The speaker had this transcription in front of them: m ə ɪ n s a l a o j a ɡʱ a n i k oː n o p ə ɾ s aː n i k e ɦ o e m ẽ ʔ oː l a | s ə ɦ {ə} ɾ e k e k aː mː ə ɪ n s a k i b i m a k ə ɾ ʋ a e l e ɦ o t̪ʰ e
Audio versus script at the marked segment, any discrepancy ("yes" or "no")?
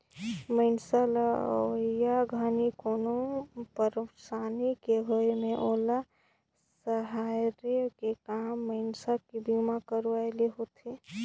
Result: yes